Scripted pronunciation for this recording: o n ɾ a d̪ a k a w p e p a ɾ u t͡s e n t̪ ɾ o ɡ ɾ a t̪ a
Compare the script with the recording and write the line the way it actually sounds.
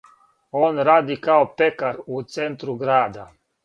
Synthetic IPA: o n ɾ a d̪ i k a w p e k a ɾ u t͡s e n t̪ ɾ u ɡ ɾ a d̪ a

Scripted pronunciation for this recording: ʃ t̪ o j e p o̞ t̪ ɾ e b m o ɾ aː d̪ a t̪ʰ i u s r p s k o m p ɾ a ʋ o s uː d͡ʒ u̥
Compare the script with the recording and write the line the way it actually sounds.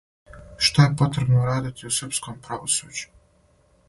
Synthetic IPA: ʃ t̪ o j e p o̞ t̪ ɾ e b n o ɾ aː d̪ i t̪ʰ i u s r p s k o m p ɾ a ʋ o s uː d͡ʒ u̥

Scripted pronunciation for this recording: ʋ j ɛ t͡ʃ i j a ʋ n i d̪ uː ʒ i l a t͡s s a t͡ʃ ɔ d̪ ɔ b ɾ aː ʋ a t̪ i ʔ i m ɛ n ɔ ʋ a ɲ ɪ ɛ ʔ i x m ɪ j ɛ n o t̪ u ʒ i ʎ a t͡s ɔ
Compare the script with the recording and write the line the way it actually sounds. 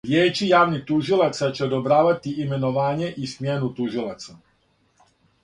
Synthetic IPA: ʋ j ɛ t͡ʃ i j a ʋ n i t̪ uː ʒ i l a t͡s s a t͡ʃ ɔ d̪ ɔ b ɾ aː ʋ a t̪ i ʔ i m ɛ n ɔ ʋ a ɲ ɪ ɛ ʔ i s m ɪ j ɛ n u t̪ u ʒ i l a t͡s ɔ

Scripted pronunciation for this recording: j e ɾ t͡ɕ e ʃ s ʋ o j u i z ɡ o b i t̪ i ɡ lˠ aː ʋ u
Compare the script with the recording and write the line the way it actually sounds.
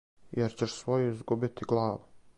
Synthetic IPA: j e ɾ t͡ɕ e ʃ s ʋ o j u i z ɡ u b i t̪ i ɡ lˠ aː ʋ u

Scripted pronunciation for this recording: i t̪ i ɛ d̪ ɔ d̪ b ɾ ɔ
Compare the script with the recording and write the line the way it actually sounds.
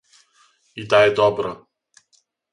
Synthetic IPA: i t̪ a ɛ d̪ ɔ b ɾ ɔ

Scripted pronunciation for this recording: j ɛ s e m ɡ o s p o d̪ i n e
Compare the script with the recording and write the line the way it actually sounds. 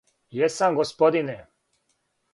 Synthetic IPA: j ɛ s a m ɡ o s p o d̪ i n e

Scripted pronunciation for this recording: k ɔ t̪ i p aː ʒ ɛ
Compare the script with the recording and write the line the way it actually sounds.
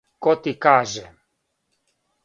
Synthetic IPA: k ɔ t̪ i k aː ʒ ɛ

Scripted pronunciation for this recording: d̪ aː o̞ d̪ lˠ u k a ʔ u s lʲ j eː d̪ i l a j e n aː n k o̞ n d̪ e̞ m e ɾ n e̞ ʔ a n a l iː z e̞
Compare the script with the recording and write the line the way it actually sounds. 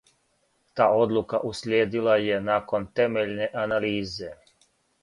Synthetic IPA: t̪ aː o̞ d̪ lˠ u k a ʔ u s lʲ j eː d̪ i l a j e n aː k o̞ n t̪ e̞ m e ʎ n e̞ ʔ a n a l iː z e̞

